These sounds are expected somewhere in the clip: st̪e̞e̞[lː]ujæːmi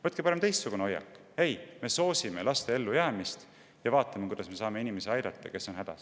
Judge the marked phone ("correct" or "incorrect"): correct